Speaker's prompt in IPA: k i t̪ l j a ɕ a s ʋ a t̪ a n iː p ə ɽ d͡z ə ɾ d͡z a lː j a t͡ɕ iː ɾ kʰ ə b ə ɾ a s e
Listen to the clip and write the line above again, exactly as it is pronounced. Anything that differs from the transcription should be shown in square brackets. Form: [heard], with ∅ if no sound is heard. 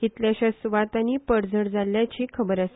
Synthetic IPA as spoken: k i t̪ l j a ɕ a s ʋ a t̪ a n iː p ə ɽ d͡z ə [ɽ] d͡z a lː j a t͡ɕ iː [∅] kʰ ə b ə ɾ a s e